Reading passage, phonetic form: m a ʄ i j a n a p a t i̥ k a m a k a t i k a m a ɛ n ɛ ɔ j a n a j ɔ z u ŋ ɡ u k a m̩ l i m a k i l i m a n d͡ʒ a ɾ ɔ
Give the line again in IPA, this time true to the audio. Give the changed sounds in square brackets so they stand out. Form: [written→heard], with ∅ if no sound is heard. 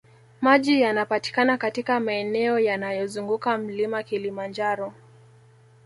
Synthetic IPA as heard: m a ʄ i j a n a p a t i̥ k a [m→n] a k a t i k a m a ɛ n ɛ ɔ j a n a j ɔ z u ŋ ɡ u k a m̩ l i m a k i l i m a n d͡ʒ a ɾ ɔ

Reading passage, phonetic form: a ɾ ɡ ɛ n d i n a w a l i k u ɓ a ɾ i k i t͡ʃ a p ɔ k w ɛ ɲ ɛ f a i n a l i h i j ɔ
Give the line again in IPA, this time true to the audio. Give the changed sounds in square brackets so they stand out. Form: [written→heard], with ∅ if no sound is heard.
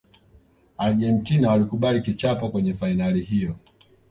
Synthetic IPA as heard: a ɾ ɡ ɛ n [d→t] i n a w a l i k u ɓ a [ɾ→l] i k i t͡ʃ a p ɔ k w ɛ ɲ ɛ f a i n a l i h i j ɔ

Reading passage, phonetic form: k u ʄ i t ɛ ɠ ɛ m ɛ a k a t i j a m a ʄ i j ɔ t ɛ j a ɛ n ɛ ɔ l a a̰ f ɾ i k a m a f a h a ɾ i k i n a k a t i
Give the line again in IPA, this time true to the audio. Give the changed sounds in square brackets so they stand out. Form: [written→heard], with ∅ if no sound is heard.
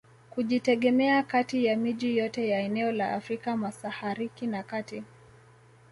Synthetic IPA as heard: k u ʄ i t ɛ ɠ ɛ m ɛ a k a t i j a m [a→i] ʄ i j ɔ t ɛ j a ɛ n ɛ ɔ l a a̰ f ɾ i k a m a [f→s] a h a ɾ i k i n a k a t i

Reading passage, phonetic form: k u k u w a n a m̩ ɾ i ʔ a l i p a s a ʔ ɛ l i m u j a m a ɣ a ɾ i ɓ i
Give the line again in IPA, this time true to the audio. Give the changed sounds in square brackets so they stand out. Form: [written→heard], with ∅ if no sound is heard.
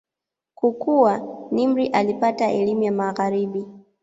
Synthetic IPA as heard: k u k u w a n [a→i] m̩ ɾ i ʔ a l i p a [s→t] a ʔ ɛ l i m u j a m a ɣ a ɾ i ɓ i

